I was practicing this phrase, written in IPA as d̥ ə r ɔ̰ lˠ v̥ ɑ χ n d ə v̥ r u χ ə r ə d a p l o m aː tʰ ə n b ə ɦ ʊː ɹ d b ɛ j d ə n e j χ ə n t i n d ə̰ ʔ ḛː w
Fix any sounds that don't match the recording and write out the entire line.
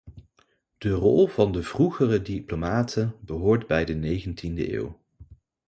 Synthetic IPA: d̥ ə r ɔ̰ lˠ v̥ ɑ n d ə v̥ r u χ ə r ə d i p l o m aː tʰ ə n b ə ɦ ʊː ɹ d b ɛ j d ə n e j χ ə n t i n d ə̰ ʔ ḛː w